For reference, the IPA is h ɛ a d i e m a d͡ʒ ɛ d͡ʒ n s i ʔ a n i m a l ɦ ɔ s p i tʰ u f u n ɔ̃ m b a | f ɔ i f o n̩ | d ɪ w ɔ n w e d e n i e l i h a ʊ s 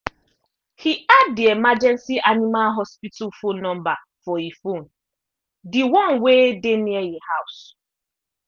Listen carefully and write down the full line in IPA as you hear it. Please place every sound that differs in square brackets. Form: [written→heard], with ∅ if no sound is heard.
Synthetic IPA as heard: h [ɛ→i] a d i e m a d͡ʒ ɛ [d͡ʒ→∅] n s i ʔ a n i m a l ɦ ɔ s p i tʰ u f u n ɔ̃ m b a | f ɔ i f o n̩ | d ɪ w ɔ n w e d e n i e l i h a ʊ s